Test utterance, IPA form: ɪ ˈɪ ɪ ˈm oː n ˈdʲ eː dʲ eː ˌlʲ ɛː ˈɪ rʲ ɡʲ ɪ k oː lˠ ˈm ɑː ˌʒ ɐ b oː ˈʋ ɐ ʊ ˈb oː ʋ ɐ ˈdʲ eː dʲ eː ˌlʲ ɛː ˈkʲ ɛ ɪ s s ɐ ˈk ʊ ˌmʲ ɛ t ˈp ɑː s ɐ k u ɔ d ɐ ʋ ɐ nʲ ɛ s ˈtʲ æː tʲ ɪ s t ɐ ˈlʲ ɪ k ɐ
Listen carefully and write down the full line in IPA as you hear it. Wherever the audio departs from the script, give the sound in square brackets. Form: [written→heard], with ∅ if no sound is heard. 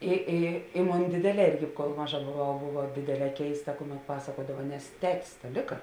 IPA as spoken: ɪ ˈɪ ɪ ˈm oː n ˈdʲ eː dʲ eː ˌlʲ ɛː ˈɪ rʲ ɡʲ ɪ k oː lˠ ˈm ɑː ˌʒ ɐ b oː ˈʋ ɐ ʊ ˈb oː ʋ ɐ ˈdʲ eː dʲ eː ˌlʲ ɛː ˈkʲ ɛ ɪ s [s→t] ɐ ˈk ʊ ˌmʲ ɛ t ˈp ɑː s ɐ k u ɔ d ɐ ʋ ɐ nʲ ɛ s ˈtʲ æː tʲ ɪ s t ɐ ˈlʲ ɪ k ɐ